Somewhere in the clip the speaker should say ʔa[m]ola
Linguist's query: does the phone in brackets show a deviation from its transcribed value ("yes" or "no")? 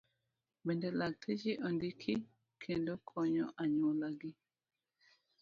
yes